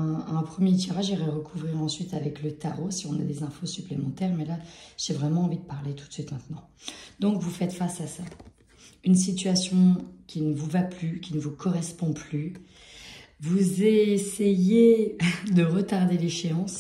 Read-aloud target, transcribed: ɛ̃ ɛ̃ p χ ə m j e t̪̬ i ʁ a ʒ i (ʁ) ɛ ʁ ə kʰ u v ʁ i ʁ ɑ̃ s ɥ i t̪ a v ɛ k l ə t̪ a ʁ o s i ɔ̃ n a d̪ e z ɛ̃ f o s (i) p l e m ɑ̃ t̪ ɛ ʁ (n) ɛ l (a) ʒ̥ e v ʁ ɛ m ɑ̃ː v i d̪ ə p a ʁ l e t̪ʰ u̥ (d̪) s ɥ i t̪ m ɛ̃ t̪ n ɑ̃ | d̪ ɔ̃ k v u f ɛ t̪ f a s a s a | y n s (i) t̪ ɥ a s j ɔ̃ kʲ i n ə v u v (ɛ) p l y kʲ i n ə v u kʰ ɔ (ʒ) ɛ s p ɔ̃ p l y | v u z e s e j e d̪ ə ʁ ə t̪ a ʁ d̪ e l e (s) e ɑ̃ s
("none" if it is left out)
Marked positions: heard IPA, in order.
ʁ, y, m, a, t̪, i, a, ʁ, ʃ

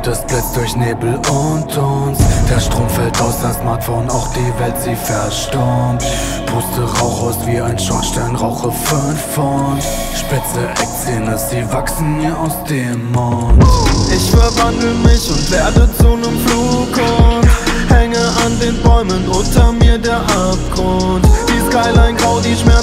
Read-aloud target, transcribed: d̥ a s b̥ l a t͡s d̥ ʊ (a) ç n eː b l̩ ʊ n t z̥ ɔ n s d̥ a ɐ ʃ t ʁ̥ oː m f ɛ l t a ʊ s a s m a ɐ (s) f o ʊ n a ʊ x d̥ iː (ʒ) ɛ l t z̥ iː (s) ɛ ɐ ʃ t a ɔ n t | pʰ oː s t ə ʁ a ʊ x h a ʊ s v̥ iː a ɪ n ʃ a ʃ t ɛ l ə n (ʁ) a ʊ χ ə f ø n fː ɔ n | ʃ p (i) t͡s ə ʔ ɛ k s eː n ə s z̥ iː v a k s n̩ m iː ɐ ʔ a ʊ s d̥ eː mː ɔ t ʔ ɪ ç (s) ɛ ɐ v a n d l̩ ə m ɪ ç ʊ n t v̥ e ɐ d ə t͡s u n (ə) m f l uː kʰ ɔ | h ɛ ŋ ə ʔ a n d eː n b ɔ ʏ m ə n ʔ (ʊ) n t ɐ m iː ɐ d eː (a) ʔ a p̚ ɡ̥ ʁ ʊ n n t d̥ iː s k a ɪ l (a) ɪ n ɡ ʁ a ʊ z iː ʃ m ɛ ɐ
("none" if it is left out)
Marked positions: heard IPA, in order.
ɐ, t, v, f, ʁ, ɪ, f, ə, ʊ, ɐ, a

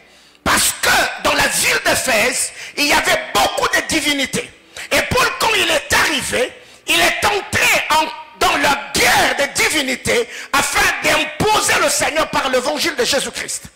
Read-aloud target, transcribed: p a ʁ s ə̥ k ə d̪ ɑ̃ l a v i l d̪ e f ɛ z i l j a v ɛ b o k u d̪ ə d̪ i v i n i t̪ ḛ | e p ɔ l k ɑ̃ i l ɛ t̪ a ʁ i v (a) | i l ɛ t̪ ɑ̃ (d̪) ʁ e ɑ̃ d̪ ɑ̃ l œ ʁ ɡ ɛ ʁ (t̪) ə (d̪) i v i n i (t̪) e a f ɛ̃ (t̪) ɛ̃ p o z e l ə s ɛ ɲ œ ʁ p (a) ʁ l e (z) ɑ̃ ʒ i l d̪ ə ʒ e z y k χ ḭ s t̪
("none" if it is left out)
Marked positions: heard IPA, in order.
e, t̪, d̪, d̪, t̪, d̪, a, v

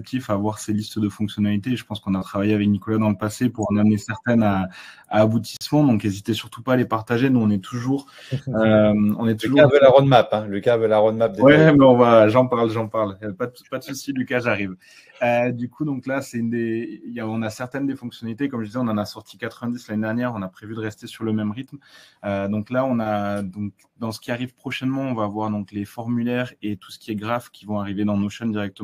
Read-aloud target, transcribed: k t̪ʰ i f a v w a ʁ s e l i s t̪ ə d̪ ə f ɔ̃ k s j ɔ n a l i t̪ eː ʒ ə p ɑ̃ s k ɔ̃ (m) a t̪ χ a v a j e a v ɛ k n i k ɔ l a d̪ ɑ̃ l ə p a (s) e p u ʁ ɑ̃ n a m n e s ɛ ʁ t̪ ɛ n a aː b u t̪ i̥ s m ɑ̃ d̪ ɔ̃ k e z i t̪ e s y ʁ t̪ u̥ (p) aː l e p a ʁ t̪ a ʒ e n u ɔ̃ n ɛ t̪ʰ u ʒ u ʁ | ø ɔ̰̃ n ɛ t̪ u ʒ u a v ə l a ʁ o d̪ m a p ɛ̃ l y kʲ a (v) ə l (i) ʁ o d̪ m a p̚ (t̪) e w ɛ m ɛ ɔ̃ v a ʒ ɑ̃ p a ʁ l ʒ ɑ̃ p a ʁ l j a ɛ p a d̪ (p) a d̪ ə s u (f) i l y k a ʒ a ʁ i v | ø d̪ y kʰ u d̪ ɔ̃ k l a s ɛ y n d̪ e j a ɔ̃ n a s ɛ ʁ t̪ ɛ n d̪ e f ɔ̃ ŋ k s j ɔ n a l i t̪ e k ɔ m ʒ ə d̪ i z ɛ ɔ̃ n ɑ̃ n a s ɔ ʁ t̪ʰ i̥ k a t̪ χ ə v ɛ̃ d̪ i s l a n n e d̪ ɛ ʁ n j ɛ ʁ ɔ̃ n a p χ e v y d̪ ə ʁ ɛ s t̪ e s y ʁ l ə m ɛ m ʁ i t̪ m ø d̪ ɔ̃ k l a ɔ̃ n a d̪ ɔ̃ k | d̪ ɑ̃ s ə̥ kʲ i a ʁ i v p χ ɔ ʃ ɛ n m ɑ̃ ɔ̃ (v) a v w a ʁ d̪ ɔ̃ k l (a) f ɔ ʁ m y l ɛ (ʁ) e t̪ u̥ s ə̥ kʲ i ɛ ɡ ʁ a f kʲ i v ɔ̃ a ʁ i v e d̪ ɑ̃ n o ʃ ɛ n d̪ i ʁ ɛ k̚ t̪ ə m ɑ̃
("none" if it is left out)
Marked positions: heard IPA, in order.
n, s, p, v, a, d̪, p, s, v, e, ʁ

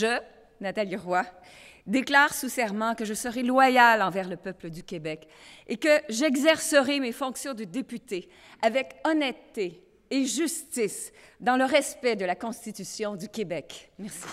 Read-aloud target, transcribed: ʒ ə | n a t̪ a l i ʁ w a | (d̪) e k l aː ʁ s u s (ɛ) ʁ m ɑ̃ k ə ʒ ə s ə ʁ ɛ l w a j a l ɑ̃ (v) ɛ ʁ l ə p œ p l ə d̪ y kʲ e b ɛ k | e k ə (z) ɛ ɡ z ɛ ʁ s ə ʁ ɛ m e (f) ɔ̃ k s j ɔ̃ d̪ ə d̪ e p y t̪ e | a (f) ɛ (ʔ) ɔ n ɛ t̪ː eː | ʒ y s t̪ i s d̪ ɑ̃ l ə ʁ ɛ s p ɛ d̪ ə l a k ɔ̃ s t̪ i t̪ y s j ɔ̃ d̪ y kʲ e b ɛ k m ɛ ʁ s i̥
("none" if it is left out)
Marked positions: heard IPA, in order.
d̪, ɛ, v, ʒ, f, v, k

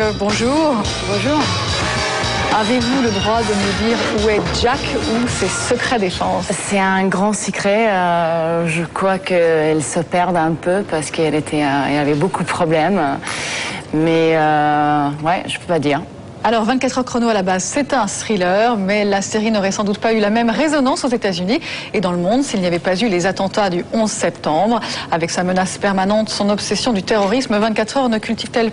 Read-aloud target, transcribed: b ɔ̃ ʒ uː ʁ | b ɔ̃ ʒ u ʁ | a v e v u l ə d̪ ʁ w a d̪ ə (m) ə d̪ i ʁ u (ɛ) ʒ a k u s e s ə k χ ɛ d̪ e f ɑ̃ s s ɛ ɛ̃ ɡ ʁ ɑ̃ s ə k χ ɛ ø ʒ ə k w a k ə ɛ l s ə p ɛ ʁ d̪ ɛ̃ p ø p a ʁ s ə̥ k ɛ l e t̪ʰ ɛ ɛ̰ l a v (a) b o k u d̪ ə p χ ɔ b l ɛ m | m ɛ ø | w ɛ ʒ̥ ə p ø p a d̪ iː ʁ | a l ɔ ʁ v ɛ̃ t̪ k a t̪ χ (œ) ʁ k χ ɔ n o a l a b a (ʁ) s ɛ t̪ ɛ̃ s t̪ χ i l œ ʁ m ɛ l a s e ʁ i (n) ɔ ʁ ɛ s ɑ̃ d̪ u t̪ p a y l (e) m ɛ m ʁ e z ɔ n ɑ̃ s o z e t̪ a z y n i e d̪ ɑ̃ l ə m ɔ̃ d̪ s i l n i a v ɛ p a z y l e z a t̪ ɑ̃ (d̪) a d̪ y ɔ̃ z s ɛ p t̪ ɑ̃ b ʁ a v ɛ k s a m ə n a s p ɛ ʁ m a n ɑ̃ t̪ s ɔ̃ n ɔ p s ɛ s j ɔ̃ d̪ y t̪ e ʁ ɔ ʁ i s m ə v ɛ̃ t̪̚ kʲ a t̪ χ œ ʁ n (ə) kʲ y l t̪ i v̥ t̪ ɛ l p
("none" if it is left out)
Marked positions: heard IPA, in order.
m, ɛ, ɛ, œ, z, n, a, t̪, ə

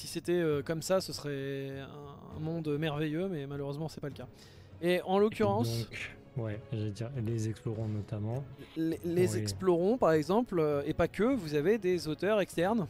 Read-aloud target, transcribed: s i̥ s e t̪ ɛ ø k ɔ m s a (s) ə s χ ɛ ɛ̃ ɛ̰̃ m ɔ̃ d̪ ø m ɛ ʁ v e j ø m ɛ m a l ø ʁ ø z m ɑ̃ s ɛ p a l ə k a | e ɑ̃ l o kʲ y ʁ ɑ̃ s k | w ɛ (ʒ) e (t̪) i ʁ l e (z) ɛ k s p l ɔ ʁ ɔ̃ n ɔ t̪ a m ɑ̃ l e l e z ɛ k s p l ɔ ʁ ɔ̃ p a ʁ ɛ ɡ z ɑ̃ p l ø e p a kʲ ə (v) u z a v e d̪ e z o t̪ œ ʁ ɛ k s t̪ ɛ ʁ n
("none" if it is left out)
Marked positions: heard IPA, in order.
s, ʒ, d̪, z, v

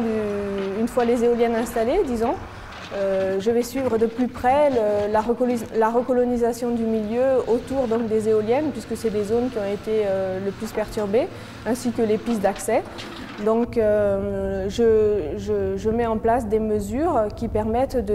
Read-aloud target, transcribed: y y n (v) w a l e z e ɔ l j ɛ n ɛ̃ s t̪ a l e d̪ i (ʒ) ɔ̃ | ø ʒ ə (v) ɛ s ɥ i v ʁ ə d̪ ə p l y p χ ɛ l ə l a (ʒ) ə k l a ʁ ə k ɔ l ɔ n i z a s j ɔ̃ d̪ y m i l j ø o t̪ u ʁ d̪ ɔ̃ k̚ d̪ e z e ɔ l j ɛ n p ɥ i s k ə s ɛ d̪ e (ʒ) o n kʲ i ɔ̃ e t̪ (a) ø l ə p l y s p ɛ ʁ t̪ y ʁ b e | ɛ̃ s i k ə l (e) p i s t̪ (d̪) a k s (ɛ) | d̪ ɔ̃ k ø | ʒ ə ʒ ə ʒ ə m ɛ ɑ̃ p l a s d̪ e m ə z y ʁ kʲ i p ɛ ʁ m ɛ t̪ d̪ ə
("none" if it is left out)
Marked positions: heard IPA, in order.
f, z, v, ʁ, z, e, e, d̪, ɛ

